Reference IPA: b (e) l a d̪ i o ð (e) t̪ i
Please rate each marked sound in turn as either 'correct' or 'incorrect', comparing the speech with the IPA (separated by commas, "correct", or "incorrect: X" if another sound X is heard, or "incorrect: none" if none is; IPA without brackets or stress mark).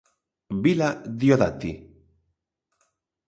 incorrect: i, incorrect: a